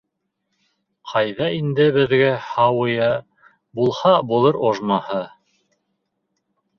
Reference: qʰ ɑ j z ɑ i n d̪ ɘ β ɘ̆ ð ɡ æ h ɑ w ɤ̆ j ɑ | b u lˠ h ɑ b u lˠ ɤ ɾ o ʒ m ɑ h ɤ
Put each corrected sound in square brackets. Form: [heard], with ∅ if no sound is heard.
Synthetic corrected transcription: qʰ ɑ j [ð] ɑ i n d̪ ɘ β ɘ̆ ð ɡ æ h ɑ w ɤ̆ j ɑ | b u lˠ h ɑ b u lˠ ɤ ɾ o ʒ m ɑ h ɤ